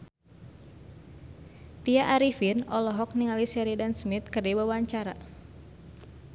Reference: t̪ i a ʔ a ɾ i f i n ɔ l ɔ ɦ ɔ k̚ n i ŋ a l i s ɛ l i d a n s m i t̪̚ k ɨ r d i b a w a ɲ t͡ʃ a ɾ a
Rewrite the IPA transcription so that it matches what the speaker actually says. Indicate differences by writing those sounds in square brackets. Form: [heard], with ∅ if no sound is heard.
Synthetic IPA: t̪ i a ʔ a ɾ i f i n ɔ l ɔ ɦ ɔ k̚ n i ŋ a l i s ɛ [ɾ] i d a n s m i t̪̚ k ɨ r d i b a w a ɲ t͡ʃ a ɾ a